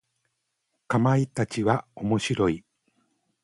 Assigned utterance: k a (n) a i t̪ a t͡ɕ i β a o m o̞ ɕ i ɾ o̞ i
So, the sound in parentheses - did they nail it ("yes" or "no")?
no